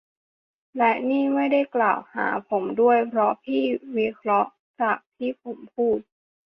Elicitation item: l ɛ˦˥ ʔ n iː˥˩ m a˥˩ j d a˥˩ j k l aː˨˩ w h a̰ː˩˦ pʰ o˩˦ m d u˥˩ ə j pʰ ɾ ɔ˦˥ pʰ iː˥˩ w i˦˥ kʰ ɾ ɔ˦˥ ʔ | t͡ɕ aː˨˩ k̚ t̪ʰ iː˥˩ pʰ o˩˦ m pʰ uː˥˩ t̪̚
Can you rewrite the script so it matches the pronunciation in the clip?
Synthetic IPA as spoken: l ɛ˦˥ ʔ n iː˥˩ m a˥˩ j d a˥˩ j k l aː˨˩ w h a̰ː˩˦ pʰ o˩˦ m d u˥˩ ə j pʰ ɾ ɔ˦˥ pʰ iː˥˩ w i˦˥ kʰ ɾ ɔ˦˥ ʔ | t͡ɕ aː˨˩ k̚ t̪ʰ iː˥˩ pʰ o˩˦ m pʰ uː˥˩ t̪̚